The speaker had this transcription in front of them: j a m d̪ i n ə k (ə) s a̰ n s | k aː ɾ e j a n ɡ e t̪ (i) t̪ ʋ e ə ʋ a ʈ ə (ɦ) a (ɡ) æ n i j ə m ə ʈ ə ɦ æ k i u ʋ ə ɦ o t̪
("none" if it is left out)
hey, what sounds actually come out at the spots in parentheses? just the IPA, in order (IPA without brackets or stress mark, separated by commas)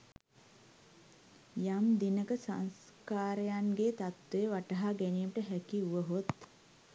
ə, a, ɦ, ɡ